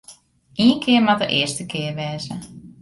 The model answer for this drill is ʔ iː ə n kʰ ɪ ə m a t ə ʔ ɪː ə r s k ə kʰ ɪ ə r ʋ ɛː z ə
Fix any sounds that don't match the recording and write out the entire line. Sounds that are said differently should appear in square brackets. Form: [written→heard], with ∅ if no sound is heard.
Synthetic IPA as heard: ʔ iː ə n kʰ ɪ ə m a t ə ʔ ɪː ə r s [k→t] ə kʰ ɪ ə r ʋ ɛː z ə